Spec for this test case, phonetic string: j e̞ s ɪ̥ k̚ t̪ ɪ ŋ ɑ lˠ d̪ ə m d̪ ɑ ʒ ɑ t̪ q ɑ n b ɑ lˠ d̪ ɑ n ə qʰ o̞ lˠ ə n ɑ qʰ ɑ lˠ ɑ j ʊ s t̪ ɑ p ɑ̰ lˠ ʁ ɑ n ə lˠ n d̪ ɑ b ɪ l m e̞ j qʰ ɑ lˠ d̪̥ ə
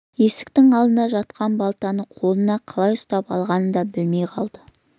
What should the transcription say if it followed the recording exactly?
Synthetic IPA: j e̞ s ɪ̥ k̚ t̪ ɪ ŋ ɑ lˠ d̪ ə n d̪ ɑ ʒ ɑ t̪ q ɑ n b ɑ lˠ t̪ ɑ n ə qʰ o̞ lˠ ə n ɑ qʰ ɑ lˠ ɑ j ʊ s t̪ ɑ p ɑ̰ lˠ ʁ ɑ n ə n d̪ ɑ b ɪ l m e̞ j qʰ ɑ lˠ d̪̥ ə